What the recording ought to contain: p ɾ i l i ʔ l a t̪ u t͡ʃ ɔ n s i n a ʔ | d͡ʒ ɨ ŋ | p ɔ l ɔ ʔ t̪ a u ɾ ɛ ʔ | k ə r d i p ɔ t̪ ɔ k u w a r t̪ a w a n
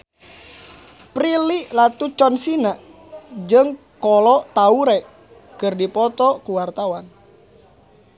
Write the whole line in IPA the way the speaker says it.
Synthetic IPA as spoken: p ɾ i l i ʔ l a t̪ u t͡ʃ ɔ n s i n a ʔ | d͡ʒ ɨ ŋ | k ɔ l ɔ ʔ t̪ a u ɾ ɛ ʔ | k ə r d i p ɔ t̪ ɔ k u w a r t̪ a w a n